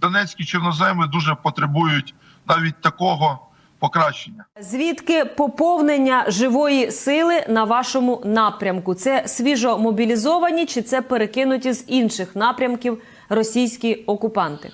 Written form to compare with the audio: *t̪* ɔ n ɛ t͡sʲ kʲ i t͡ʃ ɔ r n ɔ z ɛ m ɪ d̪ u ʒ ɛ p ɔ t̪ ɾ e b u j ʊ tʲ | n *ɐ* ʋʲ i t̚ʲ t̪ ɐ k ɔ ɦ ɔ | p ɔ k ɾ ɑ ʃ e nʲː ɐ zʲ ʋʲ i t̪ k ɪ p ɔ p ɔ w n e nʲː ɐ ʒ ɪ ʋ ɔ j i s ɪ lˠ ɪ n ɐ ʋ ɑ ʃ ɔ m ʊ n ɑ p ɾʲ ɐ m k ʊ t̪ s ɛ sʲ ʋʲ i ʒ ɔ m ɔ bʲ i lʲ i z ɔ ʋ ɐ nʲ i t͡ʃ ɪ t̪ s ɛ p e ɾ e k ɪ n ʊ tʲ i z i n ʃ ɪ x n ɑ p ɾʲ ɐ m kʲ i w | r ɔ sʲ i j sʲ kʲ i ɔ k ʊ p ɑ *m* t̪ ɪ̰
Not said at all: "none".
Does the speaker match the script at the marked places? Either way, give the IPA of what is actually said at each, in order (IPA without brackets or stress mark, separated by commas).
d̪, ɑ, n